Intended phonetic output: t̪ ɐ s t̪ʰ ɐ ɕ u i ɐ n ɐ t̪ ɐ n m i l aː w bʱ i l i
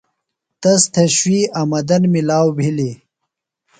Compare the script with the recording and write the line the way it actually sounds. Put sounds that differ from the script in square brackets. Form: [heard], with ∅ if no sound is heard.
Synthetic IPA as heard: t̪ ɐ s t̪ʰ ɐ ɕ [w] i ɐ [m] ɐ [d̪] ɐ n m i l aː w bʱ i l i